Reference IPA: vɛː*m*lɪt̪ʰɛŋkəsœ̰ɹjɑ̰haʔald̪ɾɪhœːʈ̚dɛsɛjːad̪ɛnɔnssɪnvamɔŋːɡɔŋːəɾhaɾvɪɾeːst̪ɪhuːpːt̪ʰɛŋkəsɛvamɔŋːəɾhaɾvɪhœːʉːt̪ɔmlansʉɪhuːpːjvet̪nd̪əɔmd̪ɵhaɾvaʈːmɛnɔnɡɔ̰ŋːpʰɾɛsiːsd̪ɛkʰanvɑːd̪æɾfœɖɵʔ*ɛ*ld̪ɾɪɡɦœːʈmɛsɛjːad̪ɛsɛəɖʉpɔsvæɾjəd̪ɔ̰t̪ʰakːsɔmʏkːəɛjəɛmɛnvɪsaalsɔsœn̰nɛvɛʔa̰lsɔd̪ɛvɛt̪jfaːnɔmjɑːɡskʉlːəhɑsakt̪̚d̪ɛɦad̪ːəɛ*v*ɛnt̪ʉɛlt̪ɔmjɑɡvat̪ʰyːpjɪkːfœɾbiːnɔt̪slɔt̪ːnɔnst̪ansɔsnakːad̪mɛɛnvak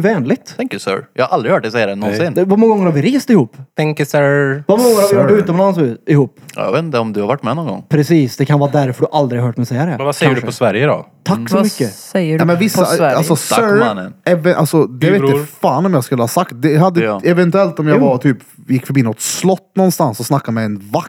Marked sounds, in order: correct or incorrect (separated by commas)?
incorrect, incorrect, correct